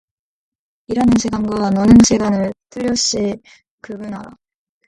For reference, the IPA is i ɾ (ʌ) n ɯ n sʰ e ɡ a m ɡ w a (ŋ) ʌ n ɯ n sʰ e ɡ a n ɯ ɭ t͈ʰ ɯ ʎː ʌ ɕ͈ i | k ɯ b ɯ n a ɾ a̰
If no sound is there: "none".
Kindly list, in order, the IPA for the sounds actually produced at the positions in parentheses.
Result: a, n

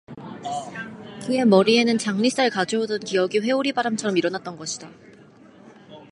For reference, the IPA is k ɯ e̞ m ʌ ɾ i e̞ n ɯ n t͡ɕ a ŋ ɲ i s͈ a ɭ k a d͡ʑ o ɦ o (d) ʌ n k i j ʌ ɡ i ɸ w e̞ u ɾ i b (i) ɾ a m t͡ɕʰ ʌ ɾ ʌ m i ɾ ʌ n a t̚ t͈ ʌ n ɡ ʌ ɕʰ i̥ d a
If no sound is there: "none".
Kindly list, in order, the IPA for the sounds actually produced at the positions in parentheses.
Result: d, a

